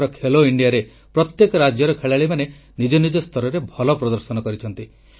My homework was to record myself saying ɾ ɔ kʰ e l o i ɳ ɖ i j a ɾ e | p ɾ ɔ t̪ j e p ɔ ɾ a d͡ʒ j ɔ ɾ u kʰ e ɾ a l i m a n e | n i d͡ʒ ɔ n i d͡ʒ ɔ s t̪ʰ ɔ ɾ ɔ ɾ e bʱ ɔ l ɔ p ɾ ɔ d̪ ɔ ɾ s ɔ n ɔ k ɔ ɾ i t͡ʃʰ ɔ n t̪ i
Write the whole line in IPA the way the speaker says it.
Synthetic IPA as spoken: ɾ ɔ kʰ e l o i ɳ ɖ i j a ɾ e | p ɾ ɔ t̪ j e k ɔ ɾ a d͡ʒ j ɔ ɾ ɔ kʰ e ɭ a ɭ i m a n e | n i d͡ʒ ɔ n i d͡ʒ ɔ s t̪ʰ ɔ ɾ ɔ ɾ e bʱ ɔ l ɔ p ɾ ɔ d̪ ɔ ɾ s ɔ n ɔ k ɔ ɾ i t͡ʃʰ ɔ n t̪ i